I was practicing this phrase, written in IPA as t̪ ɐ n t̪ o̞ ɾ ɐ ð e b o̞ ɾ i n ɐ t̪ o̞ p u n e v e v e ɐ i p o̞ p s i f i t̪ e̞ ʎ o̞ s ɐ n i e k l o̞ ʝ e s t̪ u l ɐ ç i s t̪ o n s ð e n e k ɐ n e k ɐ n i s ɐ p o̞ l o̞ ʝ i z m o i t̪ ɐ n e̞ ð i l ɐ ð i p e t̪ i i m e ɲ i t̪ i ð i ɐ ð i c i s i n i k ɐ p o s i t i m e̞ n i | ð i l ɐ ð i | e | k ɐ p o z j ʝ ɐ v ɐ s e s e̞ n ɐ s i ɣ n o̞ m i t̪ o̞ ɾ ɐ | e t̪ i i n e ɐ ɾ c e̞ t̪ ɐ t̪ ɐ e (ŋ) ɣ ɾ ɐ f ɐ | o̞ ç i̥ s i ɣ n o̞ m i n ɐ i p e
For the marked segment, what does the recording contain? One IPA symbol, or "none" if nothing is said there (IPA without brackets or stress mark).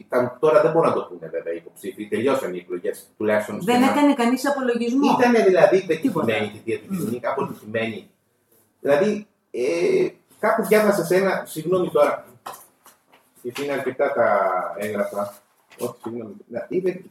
ŋ